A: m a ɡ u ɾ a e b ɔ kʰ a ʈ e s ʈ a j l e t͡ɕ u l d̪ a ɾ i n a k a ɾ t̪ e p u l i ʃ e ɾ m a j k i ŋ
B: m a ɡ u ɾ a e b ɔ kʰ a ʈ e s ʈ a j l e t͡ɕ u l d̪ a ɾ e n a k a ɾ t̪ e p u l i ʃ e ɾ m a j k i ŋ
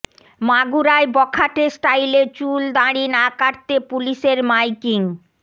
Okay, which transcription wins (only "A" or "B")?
A